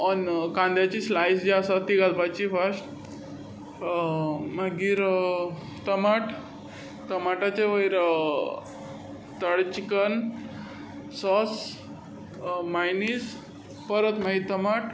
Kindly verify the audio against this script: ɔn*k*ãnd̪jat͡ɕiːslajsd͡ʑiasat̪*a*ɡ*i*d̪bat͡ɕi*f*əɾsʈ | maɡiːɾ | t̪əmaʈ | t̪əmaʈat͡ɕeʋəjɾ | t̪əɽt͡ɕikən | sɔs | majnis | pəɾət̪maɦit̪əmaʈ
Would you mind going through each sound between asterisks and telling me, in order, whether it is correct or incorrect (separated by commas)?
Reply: correct, incorrect, incorrect, correct